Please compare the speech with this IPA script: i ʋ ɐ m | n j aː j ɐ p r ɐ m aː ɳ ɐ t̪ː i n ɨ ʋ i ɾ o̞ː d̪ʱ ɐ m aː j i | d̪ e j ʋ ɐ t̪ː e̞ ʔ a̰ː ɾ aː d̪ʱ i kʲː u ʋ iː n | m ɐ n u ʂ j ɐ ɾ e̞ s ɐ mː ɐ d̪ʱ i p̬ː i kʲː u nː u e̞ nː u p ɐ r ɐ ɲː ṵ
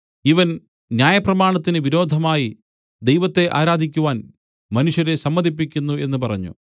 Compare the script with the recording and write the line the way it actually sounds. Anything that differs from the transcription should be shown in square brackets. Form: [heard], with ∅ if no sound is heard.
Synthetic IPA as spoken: i ʋ ɐ [n] | n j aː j ɐ p r ɐ m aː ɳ ɐ t̪ː i n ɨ ʋ i ɾ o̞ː d̪ʱ ɐ m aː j i | d̪ e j ʋ ɐ t̪ː e̞ ʔ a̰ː ɾ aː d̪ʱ i kʲː u ʋ [aː] n | m ɐ n u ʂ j ɐ ɾ e̞ s ɐ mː ɐ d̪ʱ i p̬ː i kʲː u nː u e̞ nː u p ɐ r ɐ ɲː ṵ